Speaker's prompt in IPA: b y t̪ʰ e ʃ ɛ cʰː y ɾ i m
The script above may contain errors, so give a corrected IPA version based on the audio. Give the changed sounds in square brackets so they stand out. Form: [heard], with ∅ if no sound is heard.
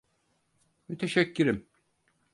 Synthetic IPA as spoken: [m] y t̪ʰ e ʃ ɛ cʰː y ɾ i m